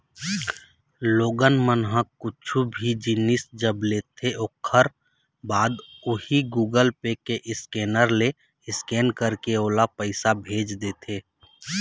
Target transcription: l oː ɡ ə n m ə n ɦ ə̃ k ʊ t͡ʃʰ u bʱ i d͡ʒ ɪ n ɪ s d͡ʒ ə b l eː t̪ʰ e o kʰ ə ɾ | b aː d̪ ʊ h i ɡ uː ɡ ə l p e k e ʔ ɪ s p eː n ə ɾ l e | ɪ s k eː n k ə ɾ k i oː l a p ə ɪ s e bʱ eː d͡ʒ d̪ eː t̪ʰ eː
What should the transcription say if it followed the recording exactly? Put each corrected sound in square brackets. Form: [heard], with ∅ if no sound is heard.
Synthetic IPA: l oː ɡ ə n m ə n ɦ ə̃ k ʊ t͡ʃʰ u bʱ i d͡ʒ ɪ n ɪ s d͡ʒ ə b l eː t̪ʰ e o kʰ ə ɾ | b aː d̪ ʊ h i ɡ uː ɡ ə l p e k e ʔ ɪ s [k] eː n ə ɾ l e | ɪ s k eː n k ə ɾ k [e] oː l a p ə ɪ s [a] bʱ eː d͡ʒ d̪ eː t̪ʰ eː